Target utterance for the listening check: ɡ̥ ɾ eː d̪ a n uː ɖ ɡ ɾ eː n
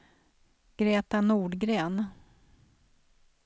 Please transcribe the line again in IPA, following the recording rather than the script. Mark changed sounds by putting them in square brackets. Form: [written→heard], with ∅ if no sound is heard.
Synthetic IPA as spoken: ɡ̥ ɾ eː [d̪→t̪] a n uː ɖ ɡ ɾ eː n